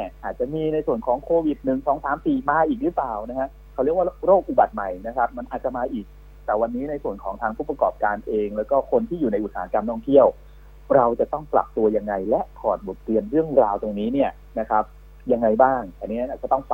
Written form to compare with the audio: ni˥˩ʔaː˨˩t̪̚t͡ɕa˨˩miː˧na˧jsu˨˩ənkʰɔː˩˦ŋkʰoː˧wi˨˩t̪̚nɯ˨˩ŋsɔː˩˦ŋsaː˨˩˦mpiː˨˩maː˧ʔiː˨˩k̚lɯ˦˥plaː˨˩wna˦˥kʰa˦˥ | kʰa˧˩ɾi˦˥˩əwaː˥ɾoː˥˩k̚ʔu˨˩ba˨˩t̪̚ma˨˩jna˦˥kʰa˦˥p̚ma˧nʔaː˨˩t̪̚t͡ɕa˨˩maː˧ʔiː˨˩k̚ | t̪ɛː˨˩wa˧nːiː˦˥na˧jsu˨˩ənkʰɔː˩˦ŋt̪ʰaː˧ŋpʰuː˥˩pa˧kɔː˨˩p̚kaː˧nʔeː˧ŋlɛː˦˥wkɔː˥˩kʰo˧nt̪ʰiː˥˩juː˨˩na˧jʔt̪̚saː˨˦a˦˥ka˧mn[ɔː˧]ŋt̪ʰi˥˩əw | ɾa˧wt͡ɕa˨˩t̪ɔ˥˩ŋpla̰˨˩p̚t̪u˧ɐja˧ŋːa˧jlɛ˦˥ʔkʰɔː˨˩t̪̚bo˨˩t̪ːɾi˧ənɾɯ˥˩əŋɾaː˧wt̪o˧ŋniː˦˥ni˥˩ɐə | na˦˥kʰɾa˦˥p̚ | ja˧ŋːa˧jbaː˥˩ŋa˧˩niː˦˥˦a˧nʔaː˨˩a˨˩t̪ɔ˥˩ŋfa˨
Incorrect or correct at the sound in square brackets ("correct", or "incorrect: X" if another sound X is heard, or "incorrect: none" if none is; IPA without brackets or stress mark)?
incorrect: ɔː˥˩